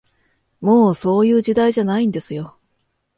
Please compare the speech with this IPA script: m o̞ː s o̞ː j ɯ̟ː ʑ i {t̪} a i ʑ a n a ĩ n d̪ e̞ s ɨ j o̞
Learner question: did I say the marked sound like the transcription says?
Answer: no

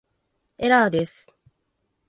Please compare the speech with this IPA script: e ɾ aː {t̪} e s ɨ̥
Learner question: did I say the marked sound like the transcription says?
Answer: no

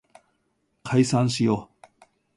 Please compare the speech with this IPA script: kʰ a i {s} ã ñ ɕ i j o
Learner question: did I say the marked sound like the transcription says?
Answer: yes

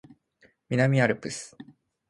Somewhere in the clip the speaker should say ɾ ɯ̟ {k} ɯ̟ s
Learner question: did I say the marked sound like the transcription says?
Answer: no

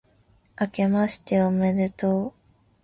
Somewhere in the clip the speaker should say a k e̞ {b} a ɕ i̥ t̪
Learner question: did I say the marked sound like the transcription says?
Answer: no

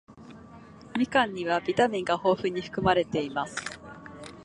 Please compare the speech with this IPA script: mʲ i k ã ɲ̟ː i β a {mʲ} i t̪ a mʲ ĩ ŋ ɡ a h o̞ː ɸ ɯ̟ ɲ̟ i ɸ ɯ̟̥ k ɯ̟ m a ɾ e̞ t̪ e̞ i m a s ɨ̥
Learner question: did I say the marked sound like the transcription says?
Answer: no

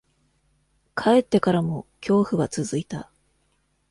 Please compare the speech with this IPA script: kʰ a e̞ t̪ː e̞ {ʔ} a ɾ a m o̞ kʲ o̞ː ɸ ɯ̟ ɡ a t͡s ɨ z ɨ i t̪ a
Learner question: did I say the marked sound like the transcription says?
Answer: no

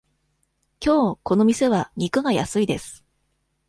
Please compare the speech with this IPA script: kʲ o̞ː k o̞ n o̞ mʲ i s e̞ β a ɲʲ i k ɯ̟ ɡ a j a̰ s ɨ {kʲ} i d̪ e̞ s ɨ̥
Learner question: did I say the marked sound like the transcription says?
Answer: no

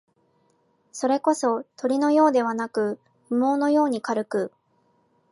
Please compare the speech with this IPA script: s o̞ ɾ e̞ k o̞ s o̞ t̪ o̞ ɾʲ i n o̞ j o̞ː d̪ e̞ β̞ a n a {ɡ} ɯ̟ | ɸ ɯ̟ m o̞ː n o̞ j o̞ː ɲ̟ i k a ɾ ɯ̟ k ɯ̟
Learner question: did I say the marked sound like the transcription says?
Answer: no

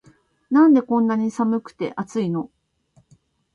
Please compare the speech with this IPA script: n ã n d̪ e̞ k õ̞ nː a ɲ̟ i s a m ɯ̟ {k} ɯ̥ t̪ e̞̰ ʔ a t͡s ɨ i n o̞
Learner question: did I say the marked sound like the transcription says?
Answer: yes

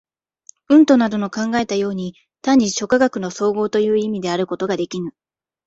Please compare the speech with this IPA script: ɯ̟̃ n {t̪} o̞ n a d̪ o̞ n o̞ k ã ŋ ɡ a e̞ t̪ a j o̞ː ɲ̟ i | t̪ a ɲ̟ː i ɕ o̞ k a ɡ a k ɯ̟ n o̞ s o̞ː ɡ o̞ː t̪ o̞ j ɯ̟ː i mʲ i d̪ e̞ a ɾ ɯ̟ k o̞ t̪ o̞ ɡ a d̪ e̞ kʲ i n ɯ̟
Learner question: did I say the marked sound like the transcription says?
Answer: yes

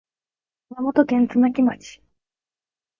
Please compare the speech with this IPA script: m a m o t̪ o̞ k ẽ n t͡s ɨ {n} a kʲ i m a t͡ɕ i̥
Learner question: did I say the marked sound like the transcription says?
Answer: yes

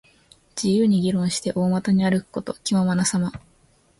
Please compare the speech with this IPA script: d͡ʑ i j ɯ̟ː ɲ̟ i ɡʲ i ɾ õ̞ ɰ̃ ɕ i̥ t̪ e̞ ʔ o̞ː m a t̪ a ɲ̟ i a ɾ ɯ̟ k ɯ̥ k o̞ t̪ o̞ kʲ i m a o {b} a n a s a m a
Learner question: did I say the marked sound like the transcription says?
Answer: no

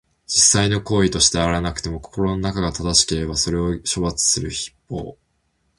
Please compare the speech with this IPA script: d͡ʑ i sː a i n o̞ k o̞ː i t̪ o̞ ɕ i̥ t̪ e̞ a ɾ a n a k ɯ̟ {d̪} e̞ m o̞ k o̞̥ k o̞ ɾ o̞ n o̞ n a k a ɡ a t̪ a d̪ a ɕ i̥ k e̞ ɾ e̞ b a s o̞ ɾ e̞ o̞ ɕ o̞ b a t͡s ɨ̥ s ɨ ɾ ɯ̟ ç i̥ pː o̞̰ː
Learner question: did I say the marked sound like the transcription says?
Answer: no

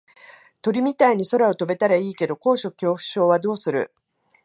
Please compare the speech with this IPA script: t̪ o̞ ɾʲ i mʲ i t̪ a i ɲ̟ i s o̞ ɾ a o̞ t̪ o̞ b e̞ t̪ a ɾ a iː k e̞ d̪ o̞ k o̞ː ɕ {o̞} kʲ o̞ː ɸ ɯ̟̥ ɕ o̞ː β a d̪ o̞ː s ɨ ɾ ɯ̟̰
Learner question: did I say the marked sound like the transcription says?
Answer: yes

